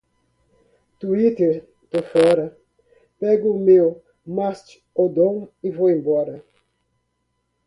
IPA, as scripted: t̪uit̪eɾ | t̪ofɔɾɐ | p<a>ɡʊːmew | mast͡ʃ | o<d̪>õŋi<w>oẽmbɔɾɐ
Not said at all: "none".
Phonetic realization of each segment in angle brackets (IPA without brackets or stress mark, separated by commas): ɛ, d̪, v